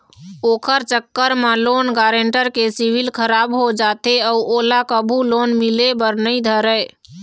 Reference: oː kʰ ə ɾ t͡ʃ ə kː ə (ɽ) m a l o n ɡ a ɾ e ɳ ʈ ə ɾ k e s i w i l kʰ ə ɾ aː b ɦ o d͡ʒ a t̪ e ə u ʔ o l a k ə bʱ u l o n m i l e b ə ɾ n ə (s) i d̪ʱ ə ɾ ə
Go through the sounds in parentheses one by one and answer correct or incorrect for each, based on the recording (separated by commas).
incorrect, incorrect